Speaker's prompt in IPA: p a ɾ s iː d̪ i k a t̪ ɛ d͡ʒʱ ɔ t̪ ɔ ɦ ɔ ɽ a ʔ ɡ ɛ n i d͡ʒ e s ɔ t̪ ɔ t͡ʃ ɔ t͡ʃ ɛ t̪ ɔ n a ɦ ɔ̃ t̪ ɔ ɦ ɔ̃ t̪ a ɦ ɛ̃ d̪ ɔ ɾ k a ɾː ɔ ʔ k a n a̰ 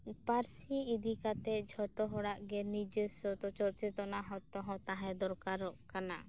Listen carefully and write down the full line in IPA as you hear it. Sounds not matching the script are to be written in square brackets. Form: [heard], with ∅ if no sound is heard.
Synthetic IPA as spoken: p a ɾ s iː d̪ i k a t̪ ɛ d͡ʒʱ ɔ t̪ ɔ ɦ ɔ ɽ a ʔ ɡ ɛ n i d͡ʒ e s ɔ t̪ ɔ t͡ʃ ɔ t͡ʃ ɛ t̪ ɔ n a ɦ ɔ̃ t̪ ɔ ɦ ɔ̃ t̪ a ɦ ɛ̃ d̪ ɔ ɾ k a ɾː ɔ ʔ k a n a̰